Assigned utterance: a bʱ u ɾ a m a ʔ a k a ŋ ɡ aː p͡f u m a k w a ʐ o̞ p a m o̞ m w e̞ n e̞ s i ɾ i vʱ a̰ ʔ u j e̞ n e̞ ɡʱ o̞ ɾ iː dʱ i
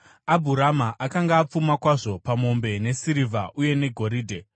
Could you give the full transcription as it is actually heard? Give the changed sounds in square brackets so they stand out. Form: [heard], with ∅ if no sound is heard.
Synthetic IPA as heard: a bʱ u ɾ a m a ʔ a k a ŋ ɡ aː p͡f u m a k w a ʐ o̞ p a m o̞ m [b] e̞ n e̞ s i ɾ i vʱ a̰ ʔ u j e̞ n e̞ ɡʱ o̞ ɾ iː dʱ [e]